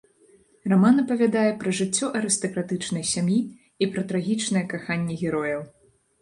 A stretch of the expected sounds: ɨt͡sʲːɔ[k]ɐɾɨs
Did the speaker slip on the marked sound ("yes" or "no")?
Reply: yes